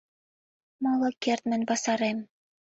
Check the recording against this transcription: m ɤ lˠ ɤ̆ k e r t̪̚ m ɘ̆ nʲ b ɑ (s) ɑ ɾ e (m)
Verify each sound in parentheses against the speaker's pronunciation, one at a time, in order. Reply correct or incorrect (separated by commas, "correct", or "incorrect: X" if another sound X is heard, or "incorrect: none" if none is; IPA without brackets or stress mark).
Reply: correct, correct